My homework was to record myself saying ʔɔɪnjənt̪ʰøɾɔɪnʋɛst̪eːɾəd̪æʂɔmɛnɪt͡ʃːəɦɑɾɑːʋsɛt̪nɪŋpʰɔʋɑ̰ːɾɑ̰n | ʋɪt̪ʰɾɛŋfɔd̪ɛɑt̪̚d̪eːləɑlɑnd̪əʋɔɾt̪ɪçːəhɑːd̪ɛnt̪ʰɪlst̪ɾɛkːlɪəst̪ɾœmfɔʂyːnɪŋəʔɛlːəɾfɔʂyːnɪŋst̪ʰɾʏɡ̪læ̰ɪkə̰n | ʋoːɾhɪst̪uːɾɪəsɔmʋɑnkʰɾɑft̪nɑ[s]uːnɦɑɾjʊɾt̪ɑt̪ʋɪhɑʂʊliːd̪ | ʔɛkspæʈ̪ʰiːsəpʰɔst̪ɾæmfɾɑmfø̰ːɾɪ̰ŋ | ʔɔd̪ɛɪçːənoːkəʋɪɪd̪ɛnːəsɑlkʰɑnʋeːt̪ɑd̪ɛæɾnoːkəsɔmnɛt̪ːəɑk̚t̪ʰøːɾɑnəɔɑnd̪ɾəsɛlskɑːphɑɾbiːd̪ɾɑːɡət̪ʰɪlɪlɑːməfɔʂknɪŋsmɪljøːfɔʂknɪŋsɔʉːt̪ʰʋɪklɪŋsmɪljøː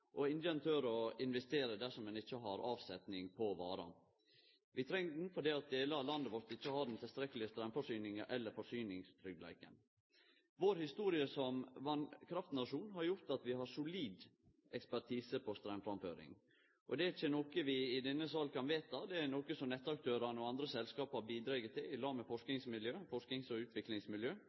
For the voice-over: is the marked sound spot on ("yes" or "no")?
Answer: no